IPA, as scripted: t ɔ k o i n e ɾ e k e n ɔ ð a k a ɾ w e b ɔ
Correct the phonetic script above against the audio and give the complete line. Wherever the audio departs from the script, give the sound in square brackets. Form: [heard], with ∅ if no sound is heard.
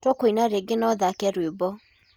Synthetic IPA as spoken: t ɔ k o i n [a] ɾ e [ɡ] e n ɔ ð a k [ɛ] ɾ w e b ɔ